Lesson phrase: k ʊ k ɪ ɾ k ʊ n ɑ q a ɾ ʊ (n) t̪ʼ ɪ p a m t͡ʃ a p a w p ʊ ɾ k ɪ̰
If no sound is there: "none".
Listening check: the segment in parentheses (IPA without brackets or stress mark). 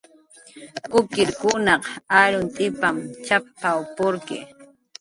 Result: n